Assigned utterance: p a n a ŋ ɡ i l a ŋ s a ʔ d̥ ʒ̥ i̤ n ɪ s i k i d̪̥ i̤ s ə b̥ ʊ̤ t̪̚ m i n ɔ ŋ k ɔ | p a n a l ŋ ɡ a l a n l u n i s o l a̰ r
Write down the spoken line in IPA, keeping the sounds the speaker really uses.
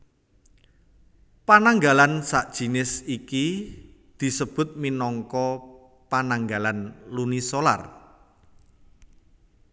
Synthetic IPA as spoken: p a n a ŋ ɡ a l a n s a ʔ d̥ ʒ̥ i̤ n ɪ s i k i d̪̥ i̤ s ə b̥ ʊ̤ t̪̚ m i n ɔ ŋ k ɔ | p a n a ŋ ɡ a l a n l u n i s o l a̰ r